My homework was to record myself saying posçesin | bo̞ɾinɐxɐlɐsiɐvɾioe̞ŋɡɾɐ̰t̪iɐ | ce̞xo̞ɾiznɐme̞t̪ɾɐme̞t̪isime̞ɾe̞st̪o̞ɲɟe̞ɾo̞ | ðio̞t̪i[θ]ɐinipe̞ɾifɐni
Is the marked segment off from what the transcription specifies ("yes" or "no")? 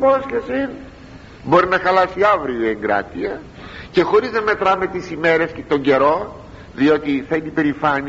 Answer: no